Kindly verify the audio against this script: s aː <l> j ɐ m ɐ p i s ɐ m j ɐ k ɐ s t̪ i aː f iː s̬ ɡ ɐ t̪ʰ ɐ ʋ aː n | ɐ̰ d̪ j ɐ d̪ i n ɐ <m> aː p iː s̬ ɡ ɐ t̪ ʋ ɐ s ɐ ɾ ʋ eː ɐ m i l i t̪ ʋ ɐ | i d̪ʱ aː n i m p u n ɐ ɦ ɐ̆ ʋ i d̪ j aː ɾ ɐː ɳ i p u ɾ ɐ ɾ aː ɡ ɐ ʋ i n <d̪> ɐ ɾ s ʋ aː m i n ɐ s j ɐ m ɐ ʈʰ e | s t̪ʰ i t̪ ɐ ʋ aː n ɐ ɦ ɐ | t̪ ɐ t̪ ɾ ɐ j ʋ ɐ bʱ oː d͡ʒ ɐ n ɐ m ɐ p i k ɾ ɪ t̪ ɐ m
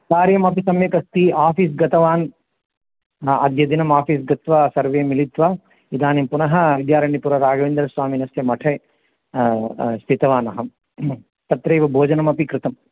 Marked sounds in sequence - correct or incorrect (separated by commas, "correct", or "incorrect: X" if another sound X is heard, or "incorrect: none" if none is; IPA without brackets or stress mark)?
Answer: incorrect: ɾ, correct, correct